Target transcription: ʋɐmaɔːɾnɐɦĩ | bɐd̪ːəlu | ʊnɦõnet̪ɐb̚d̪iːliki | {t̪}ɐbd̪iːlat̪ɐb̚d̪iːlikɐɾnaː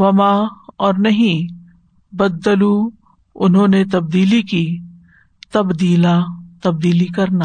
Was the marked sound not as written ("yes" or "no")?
no